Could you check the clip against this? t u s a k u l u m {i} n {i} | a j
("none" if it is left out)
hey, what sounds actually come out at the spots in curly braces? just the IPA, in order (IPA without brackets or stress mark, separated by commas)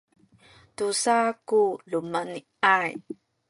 a, i